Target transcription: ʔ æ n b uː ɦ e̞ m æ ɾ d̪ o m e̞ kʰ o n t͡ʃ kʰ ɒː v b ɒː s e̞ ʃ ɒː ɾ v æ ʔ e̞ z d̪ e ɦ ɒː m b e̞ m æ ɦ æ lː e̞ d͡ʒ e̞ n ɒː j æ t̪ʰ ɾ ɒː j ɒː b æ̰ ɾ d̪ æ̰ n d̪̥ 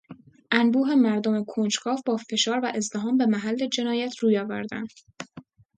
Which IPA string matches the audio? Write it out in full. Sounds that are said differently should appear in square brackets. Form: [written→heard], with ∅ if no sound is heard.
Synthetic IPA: ʔ æ n b uː ɦ e̞ m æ ɾ d̪ o m e̞ kʰ o n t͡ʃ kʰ ɒː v b ɒː [s→f] e̞ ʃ ɒː ɾ v æ ʔ e̞ z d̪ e ɦ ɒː m b e̞ m æ ɦ æ lː e̞ d͡ʒ e̞ n ɒː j æ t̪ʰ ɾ [ɒː→uː] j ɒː [b→v] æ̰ ɾ d̪ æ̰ n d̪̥